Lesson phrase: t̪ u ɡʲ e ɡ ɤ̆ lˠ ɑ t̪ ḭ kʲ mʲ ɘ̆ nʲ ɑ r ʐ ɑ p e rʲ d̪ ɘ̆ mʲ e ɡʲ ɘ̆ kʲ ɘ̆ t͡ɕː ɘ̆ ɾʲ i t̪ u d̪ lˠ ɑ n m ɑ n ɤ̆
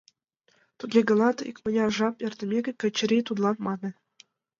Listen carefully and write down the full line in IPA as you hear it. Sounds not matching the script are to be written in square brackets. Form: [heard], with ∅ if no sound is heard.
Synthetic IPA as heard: t̪ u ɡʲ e ɡ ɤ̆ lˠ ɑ t̪ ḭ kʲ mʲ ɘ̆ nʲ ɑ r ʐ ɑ p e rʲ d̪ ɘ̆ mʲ e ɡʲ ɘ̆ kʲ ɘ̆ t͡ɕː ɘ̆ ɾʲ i t̪ u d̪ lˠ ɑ n m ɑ n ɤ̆